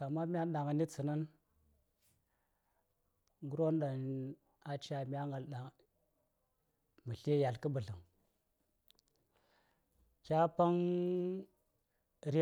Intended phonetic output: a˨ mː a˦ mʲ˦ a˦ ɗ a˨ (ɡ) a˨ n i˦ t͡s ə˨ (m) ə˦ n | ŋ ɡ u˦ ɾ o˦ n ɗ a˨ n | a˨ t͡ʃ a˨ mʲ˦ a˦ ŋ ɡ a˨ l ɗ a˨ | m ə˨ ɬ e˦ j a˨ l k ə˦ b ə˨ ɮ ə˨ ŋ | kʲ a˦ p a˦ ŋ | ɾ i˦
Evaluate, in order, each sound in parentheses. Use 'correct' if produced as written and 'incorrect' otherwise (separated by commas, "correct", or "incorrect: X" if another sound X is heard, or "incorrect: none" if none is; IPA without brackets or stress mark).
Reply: incorrect: ŋ, incorrect: n